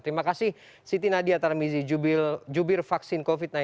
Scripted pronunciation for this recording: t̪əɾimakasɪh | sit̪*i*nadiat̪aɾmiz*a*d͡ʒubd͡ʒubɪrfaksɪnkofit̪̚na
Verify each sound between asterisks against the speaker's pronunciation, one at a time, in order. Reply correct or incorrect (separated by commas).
correct, incorrect